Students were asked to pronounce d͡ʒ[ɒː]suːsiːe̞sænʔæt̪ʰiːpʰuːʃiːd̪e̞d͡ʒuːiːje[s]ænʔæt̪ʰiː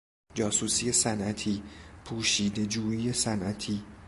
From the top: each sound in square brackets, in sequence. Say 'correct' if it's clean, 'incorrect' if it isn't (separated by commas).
correct, correct